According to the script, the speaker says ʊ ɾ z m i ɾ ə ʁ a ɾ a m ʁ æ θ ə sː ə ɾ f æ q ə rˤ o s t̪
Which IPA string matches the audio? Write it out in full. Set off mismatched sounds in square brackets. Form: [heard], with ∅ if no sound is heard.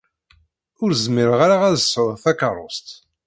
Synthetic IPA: ʊ ɾ z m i ɾ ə ʁ a ɾ a [∅] ʁ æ [ð] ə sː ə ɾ [θ] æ [k] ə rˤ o s t̪